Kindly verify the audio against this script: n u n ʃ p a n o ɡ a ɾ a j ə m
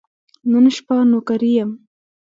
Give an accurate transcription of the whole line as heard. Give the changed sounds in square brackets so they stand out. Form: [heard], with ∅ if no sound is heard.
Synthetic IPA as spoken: n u n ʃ p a n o [k] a ɾ [i] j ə m